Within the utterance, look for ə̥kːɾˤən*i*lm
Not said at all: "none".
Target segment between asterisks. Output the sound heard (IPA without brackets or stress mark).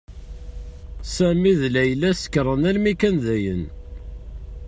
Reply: æ